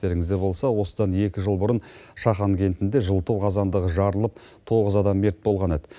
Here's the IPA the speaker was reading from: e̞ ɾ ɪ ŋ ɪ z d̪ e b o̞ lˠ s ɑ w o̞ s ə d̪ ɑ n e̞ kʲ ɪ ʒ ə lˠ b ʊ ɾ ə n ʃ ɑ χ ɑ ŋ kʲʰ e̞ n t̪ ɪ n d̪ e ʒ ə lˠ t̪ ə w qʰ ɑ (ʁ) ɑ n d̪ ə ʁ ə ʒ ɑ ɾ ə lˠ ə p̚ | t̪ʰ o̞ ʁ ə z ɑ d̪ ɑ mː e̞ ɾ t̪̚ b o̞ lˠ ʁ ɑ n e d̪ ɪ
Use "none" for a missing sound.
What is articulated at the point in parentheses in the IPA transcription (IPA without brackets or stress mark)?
z